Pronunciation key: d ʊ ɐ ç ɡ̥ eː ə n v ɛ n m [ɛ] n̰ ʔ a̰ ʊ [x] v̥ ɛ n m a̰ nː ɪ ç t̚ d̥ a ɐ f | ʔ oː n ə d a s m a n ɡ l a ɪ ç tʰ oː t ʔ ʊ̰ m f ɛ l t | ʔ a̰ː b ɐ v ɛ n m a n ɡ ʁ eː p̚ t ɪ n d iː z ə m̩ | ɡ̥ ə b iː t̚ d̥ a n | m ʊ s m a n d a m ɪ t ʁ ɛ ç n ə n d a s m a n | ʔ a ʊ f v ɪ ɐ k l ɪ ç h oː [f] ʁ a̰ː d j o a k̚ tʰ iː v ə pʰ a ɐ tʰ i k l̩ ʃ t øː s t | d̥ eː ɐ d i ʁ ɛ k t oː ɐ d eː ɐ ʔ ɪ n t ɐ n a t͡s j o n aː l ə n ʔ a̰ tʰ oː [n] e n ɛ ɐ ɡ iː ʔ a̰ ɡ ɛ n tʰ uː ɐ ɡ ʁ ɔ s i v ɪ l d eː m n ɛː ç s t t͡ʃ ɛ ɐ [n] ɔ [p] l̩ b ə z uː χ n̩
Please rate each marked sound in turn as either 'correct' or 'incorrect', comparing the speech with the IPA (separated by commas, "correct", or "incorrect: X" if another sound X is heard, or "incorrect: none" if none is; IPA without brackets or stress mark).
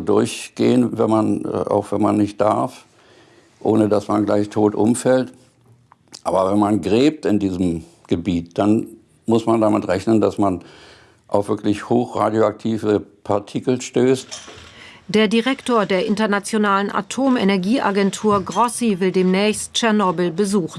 incorrect: a, correct, incorrect: x, incorrect: m, correct, incorrect: b